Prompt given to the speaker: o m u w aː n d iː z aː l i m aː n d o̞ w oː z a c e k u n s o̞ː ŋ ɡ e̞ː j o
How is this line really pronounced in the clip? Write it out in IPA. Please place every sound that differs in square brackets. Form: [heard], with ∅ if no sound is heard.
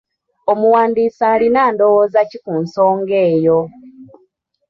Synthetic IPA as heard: o m u w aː n d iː [s] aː l i [n] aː n d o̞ w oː z a c [i] k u n s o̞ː ŋ ɡ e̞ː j o